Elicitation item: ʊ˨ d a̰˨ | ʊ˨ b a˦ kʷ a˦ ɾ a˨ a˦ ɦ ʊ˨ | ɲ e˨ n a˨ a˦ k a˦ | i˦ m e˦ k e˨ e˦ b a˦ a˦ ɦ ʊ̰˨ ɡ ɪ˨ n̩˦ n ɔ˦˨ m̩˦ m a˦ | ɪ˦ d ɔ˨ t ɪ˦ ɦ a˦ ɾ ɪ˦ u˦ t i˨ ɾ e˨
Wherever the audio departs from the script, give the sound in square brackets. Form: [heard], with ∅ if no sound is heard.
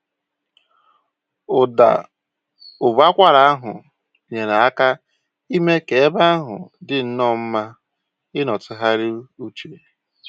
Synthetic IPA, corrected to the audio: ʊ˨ d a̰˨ | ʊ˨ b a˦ kʷ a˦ ɾ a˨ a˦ ɦ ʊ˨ | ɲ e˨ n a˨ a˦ k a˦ | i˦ m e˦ k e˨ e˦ b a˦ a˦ ɦ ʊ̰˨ [d] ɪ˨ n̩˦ n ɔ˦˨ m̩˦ m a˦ | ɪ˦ [n] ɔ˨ t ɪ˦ ɦ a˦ ɾ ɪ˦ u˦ [t͡ʃ] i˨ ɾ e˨